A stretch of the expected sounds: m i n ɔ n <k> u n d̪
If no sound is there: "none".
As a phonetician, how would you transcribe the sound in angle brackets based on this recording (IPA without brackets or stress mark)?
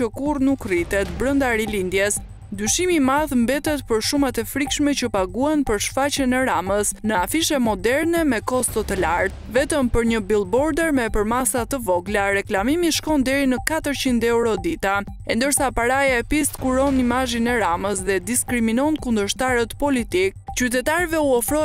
k